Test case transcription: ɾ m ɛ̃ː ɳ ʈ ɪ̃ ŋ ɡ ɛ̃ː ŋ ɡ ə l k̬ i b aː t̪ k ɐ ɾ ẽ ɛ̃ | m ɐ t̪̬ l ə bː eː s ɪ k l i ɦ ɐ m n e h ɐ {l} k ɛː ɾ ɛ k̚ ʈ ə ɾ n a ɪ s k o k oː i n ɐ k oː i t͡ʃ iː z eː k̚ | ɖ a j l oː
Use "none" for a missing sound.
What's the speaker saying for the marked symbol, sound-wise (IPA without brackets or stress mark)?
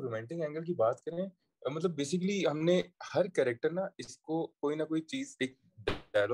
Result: ɾ